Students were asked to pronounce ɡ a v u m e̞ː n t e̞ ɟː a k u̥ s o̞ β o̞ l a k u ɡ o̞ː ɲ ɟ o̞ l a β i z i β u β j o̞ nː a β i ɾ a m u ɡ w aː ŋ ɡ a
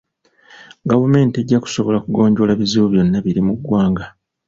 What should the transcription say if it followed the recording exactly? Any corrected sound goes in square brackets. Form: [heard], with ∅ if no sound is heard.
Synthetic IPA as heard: ɡ a v u m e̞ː n t e̞ ɟː a k u̥ s o̞ β o̞ l a k u ɡ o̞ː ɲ ɟ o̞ l a β i z i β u β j o̞ nː a β i ɾ [i] m u ɡ w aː ŋ ɡ a